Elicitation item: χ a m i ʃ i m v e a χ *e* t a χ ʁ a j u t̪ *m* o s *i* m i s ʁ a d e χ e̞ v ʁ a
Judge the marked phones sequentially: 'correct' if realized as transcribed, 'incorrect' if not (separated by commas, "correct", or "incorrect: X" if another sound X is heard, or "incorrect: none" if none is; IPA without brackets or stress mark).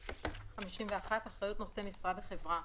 incorrect: a, incorrect: n, incorrect: e